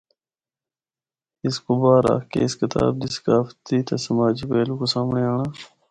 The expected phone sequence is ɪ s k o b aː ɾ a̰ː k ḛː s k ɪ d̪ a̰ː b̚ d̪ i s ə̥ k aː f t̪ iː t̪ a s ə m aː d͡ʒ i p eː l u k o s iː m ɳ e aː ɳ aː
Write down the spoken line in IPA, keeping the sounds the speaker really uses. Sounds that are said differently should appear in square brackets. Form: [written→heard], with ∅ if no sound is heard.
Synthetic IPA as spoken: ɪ s k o b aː ɾ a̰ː k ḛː s k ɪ [d̪→t̪] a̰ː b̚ d̪ i s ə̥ k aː f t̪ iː t̪ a s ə m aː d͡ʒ i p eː l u k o s [iː→aː] m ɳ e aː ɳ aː